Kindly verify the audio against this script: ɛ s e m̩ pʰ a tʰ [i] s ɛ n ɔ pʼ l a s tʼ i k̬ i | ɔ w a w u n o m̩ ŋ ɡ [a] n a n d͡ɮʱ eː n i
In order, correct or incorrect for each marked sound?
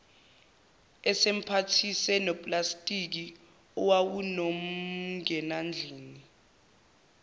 correct, incorrect

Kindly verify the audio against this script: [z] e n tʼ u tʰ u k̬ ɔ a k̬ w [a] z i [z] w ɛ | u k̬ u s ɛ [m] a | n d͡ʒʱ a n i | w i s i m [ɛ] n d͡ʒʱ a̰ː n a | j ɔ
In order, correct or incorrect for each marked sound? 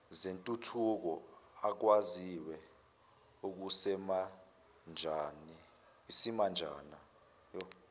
correct, correct, incorrect, correct, incorrect

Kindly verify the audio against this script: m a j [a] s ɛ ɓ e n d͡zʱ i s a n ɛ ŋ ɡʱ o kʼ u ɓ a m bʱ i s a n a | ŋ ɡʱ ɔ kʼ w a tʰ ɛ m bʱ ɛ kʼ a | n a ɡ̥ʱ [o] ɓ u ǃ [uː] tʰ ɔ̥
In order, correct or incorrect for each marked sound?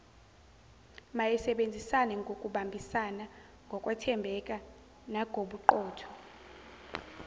incorrect, correct, incorrect

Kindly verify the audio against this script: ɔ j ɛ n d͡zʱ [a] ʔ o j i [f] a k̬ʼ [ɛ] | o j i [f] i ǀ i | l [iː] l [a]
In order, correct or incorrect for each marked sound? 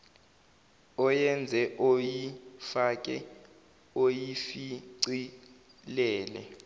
incorrect, correct, correct, correct, incorrect, incorrect

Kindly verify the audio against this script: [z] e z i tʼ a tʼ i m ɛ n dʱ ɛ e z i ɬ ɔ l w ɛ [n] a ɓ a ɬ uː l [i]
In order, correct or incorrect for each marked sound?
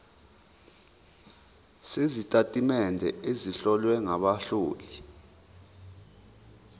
incorrect, incorrect, correct

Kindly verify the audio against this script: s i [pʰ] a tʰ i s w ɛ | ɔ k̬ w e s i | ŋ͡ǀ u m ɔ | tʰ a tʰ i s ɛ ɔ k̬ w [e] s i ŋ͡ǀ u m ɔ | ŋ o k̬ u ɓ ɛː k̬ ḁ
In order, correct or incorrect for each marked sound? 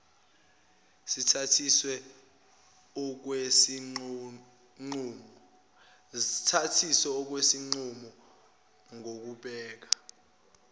incorrect, correct

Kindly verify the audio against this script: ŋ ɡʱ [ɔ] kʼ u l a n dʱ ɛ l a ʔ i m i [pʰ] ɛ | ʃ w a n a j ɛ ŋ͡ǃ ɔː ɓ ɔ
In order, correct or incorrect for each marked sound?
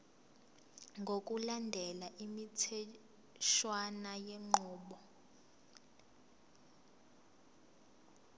incorrect, incorrect

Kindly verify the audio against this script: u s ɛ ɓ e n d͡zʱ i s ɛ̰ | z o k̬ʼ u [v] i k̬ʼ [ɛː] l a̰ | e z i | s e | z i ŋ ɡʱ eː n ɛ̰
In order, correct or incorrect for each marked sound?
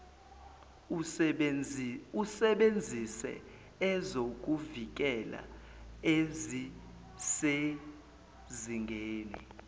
correct, incorrect

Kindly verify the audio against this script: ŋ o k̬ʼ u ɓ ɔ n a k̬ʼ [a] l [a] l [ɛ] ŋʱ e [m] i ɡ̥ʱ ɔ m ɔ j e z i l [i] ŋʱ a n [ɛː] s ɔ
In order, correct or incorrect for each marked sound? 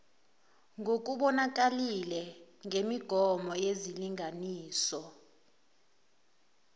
correct, incorrect, correct, correct, correct, incorrect

